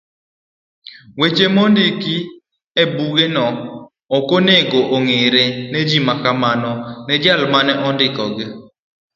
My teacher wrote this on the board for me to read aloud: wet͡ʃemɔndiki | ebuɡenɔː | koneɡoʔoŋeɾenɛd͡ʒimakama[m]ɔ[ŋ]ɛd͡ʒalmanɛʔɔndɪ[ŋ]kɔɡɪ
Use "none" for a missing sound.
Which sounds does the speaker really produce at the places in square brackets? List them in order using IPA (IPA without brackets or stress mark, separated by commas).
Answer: n, n, none